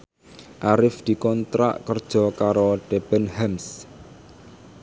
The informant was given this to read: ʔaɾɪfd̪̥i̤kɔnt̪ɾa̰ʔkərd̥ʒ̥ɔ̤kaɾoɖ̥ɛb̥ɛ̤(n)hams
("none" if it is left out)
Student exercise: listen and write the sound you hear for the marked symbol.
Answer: n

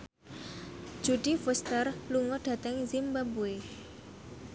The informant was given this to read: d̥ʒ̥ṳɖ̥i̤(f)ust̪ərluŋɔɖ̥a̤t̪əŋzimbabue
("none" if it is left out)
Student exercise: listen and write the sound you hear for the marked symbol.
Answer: f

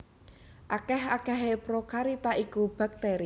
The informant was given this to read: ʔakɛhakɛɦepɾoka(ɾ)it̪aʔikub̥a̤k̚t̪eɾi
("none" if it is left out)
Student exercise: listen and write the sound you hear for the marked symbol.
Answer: ɾ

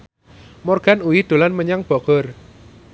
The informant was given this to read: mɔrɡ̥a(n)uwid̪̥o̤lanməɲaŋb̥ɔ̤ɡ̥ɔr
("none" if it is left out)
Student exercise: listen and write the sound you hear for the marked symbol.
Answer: n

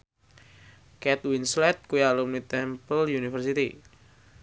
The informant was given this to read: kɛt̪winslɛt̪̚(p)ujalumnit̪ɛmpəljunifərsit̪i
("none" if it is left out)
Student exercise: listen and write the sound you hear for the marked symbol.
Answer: k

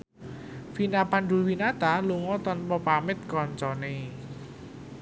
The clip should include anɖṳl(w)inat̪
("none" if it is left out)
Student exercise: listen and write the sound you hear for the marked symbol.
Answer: w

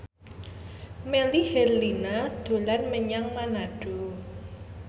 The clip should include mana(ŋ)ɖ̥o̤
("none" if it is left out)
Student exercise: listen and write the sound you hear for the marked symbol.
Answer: none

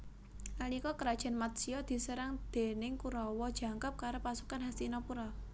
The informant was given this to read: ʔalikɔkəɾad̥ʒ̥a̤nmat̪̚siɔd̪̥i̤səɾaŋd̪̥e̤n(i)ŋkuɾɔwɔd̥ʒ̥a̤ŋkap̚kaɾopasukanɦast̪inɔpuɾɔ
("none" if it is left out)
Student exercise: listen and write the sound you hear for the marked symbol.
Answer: ɪ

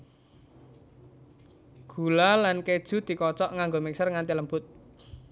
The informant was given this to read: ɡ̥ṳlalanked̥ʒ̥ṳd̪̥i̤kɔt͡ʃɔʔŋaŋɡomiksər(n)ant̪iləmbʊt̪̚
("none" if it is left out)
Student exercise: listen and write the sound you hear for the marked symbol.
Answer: ŋ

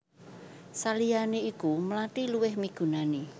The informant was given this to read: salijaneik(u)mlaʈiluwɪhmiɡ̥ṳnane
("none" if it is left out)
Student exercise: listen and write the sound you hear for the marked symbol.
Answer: u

